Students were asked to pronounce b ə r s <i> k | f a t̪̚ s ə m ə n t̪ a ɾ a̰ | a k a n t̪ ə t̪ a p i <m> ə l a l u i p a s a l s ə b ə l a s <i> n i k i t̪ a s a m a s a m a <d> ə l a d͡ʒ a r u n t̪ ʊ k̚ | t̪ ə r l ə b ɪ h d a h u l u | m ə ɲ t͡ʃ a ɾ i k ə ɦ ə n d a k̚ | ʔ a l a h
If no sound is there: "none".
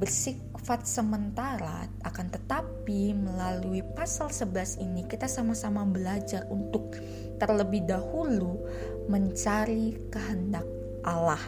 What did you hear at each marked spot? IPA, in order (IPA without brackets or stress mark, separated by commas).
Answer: i, m, i, b